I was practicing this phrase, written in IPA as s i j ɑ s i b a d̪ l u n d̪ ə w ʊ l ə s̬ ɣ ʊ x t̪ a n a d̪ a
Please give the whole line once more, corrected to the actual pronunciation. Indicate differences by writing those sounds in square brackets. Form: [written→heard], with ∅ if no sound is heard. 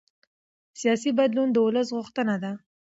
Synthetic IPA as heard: s i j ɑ s i b a d̪ l u n d̪ ə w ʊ l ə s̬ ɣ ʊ x t̪ [a→ə] n a d̪ a